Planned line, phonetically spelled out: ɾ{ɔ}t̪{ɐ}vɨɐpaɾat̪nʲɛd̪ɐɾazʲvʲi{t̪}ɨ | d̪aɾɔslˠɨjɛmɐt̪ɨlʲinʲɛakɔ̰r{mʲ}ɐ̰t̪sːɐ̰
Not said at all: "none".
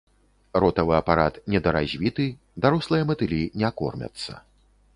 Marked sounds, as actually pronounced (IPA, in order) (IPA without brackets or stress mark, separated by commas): ɔ, ɐ, t̪, mʲ